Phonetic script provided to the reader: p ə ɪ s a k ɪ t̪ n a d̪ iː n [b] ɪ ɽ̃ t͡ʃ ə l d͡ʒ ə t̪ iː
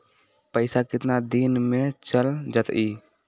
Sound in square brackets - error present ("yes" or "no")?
yes